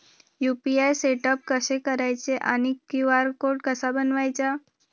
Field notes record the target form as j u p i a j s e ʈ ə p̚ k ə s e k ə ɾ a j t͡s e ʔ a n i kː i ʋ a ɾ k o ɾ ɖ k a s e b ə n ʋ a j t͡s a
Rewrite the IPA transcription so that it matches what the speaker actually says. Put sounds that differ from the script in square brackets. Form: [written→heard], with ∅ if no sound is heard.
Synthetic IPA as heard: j u p i a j s e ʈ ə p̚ k ə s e k ə ɾ a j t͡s e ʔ a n i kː i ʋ a ɾ k o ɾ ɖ k [a→ə] s [e→a] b ə n ʋ a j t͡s a